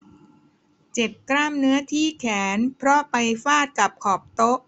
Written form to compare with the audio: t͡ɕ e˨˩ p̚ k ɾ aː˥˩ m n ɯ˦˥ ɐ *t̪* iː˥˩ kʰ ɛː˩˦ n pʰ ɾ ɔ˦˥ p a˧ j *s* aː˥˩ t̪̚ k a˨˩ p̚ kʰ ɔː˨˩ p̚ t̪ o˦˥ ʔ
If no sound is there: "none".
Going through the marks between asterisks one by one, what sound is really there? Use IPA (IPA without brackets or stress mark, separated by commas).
t̪ʰ, f